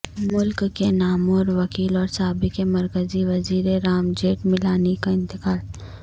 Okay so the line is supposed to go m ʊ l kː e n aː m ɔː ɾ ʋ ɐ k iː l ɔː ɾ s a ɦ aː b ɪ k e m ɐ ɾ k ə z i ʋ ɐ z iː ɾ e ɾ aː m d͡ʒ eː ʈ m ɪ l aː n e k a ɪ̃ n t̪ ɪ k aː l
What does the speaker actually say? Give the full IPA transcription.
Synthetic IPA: m ʊ l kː e n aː m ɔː ɾ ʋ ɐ k iː l ɔː ɾ s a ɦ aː b ɪ k e m ɐ ɾ k ə z i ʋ ɐ z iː ɾ e ɾ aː m d͡ʒ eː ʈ m ɪ l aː n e k a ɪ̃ n t̪ ɪ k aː l